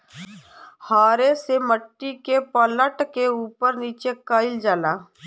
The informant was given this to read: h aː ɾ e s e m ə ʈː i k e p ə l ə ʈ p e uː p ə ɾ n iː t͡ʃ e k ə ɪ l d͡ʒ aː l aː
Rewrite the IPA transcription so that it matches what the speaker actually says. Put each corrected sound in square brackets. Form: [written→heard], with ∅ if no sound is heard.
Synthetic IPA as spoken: h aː ɾ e s e m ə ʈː i k e p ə l ə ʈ [p→k] e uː p ə ɾ n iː t͡ʃ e k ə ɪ l d͡ʒ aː l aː